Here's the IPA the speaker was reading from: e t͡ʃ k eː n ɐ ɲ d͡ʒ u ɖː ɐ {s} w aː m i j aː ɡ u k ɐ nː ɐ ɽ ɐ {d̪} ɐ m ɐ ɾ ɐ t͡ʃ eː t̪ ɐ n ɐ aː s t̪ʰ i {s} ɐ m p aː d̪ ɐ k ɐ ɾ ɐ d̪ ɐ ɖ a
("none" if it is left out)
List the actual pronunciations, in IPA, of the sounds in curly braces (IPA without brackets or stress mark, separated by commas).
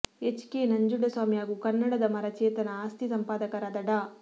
s, d̪, s